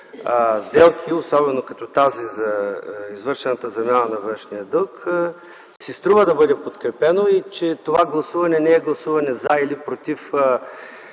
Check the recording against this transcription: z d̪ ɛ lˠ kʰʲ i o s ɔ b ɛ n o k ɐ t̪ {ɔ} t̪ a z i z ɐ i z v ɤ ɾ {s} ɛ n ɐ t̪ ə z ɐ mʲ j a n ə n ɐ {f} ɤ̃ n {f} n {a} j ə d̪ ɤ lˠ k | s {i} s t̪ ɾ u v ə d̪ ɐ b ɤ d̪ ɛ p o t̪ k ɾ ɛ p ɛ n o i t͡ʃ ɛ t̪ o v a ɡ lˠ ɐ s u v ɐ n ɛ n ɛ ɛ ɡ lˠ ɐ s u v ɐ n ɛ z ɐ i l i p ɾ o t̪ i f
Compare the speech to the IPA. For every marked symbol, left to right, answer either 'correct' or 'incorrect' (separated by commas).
correct, incorrect, incorrect, incorrect, incorrect, correct